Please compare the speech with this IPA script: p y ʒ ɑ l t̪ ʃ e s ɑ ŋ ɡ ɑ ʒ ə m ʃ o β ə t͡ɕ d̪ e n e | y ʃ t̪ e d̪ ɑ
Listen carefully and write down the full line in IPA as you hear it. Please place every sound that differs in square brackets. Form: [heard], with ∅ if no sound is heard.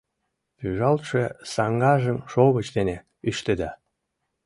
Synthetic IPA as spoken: p y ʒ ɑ l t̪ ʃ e s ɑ ŋ ɡ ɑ ʒ ə m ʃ o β ə t͡ɕ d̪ e n e | y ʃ t̪ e d̪ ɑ

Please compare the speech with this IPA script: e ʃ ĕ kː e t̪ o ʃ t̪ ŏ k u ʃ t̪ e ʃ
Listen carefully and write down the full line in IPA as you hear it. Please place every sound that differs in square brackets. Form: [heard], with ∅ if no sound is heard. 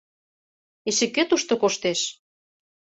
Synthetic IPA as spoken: e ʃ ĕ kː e t̪ [u] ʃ t̪ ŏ k [o] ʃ t̪ e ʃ

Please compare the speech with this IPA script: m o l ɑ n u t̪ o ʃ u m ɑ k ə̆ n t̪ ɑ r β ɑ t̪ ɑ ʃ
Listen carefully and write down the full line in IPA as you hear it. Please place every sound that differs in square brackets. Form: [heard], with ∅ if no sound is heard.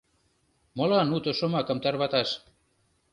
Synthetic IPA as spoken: m o l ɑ n u t̪ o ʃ [o] m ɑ k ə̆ [m] t̪ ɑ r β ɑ t̪ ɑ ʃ

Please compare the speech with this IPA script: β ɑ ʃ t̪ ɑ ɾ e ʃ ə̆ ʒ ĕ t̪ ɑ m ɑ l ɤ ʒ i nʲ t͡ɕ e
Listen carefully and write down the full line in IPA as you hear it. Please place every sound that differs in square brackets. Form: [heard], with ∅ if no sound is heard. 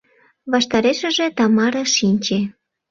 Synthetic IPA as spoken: β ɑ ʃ t̪ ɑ ɾ e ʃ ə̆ ʒ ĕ t̪ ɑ m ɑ [ɾ] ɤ [ʃ] i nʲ t͡ɕ e

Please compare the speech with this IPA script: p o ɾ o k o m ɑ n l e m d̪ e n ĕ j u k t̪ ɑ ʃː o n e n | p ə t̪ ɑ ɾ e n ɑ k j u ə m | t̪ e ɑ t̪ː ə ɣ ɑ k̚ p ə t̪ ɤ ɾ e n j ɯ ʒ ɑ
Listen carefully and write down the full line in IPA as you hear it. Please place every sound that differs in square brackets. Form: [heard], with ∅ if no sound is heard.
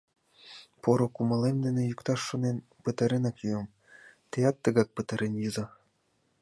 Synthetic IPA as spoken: p o ɾ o k [u] m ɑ [∅] l e m d̪ e n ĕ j u k t̪ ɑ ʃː o n e n | p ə t̪ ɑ ɾ e n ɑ k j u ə m | t̪ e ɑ t̪ː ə ɣ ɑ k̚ p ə t̪ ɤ ɾ e n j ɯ [z] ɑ

